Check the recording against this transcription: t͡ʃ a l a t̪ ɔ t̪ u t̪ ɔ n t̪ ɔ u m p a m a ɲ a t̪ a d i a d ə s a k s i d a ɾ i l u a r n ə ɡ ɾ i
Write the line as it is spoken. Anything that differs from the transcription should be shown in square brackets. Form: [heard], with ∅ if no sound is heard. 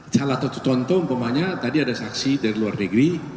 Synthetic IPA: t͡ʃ a l a t̪ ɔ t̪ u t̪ ɔ n t̪ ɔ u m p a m a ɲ a t̪ a d i a d [a] s a k s i d a ɾ i l u a r n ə ɡ ɾ i